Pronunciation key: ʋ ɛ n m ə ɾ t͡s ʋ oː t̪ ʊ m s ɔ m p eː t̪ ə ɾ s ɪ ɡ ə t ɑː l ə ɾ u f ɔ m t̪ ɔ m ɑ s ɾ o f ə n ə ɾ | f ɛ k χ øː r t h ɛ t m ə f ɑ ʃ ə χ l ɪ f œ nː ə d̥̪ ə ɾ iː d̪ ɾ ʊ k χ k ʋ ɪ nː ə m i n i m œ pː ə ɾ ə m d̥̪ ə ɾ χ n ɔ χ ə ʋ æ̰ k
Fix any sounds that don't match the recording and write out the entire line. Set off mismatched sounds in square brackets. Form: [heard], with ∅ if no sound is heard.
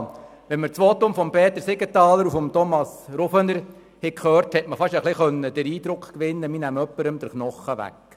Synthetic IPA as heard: ʋ ɛ n m ə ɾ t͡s ʋ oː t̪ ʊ m [f] ɔ m p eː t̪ ə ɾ s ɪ ɡ ə t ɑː l ə ɾ u f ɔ m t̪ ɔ m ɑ s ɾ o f ə n ə ɾ | [h] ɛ k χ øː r t h ɛ t m ə f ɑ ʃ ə χ l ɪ [χ] œ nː ə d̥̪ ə ɾ iː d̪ ɾ ʊ k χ k ʋ ɪ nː ə m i n [æ] m œ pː ə ɾ ə m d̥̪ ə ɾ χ n ɔ χ ə ʋ æ̰ k

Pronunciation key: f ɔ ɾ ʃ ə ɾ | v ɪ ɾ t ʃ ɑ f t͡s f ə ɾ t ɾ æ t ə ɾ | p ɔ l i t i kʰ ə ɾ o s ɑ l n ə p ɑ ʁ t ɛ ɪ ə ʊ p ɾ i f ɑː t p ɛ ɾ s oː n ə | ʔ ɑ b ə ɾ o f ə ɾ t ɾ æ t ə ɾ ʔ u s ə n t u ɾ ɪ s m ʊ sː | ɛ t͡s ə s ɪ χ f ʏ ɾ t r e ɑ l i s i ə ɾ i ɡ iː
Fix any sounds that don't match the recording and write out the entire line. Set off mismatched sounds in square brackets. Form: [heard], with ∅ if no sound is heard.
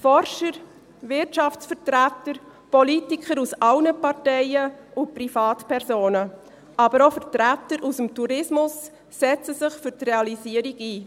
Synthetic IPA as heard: f ɔ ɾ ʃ ə ɾ | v ɪ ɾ t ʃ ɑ f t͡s f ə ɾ t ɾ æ t ə ɾ | p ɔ l i t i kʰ ə ɾ [u] s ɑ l n ə p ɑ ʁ t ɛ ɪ ə ʊ p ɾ i f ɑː t p ɛ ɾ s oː n ə | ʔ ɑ b ə ɾ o f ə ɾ t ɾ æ t ə ɾ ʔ u s ə [m] t u ɾ ɪ s m ʊ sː | ɛ t͡s ə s ɪ χ f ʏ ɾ t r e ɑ l i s i ə ɾ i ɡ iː

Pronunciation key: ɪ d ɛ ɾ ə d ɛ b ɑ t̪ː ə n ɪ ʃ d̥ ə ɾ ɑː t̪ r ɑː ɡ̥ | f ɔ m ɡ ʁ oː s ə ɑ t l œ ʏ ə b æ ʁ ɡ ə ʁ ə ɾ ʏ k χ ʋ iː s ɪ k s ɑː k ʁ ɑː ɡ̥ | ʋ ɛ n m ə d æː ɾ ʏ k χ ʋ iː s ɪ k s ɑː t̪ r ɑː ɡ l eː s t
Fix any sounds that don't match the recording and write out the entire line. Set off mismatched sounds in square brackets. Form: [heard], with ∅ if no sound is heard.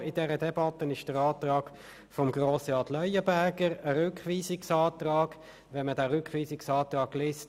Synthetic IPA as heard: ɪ d ɛ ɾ ə d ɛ b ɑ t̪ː ə n ɪ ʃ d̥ ə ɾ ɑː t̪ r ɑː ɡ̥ | f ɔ m ɡ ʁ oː s ə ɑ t l œ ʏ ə b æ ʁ ɡ ə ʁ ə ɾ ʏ k χ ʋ iː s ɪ k s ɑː [t] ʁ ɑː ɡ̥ | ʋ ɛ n m ə d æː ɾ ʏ k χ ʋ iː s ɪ k s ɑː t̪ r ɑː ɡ l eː s t

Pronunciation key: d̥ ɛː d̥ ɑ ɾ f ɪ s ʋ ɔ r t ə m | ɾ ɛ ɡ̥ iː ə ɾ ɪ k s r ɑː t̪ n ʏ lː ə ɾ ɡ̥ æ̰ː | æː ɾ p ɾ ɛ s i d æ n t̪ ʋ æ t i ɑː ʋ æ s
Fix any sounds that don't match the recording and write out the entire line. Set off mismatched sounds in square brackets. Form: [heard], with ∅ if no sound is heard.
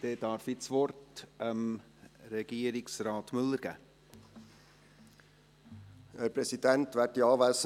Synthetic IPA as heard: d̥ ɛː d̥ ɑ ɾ f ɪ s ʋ ɔ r t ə m | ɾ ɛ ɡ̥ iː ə ɾ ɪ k s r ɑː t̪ [m] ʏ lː ə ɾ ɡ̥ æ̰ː | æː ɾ p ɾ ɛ s i d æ n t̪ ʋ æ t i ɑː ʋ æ s

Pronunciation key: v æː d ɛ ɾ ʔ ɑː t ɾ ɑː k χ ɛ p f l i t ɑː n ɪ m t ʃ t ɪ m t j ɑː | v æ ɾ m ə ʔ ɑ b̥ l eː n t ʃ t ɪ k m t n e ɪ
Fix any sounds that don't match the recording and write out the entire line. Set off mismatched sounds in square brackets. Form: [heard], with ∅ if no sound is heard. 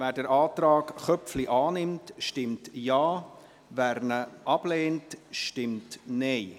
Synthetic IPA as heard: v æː d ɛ ɾ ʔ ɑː t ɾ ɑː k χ [œ] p f l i [ʔ] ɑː n ɪ m t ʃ t ɪ m t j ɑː | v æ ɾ [n] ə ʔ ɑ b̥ l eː n t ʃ t ɪ [∅] m t n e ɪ

